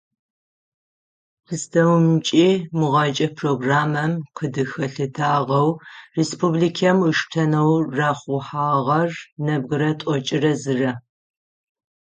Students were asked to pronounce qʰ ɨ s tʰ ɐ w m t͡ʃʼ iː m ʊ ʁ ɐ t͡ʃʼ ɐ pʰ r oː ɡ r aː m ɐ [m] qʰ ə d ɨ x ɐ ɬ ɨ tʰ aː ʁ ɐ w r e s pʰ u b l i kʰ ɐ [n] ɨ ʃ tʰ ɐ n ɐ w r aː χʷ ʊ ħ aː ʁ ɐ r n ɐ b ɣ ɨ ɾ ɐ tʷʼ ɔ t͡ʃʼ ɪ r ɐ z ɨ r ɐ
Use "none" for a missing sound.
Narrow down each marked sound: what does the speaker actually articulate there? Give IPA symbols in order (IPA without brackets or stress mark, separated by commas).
m, m